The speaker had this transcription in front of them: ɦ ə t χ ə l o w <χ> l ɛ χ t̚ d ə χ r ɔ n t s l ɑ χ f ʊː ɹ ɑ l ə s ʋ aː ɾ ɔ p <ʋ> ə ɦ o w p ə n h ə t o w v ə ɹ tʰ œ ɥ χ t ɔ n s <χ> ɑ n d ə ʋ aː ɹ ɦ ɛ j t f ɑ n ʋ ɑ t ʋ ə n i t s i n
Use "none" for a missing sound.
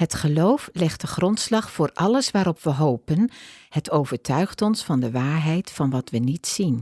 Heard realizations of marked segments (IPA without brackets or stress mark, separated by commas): f, ʋ, f